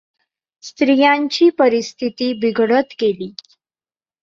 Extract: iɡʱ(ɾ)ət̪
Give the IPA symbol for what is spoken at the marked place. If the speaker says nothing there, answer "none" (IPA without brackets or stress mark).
ɽ